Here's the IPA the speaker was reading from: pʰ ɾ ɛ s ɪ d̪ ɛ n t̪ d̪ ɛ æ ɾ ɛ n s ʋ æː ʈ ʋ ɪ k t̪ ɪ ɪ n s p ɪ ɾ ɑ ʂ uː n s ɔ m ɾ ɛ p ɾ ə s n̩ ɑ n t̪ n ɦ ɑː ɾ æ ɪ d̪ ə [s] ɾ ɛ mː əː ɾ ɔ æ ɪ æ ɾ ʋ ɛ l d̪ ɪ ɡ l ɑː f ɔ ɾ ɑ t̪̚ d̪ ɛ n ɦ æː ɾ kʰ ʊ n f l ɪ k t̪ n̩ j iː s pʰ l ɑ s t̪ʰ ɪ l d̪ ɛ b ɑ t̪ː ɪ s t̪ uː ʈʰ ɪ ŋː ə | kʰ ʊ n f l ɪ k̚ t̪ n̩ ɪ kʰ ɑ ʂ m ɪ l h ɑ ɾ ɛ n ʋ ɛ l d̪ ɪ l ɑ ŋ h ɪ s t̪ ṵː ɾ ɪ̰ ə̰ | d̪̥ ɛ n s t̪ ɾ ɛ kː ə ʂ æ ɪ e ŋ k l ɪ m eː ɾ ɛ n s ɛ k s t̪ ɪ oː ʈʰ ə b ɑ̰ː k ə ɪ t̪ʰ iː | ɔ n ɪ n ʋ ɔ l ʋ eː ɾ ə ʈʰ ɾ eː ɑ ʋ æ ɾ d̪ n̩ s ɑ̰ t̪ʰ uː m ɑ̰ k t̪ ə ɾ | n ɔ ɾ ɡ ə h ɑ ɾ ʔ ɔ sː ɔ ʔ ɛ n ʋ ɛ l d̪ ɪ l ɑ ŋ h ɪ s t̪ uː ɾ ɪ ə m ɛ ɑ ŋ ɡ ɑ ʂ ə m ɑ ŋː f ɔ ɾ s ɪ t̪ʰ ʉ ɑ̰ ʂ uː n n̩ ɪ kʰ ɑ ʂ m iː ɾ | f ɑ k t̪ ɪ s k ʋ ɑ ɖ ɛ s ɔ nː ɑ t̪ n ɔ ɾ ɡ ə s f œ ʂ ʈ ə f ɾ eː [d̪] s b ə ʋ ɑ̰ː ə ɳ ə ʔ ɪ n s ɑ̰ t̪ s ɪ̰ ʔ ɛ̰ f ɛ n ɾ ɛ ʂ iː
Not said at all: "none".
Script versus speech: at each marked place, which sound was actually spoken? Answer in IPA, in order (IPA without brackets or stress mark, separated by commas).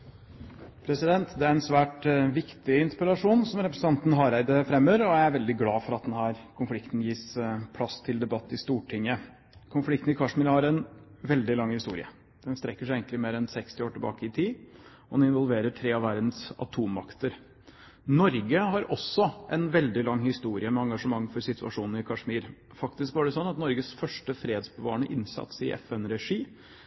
f, d̪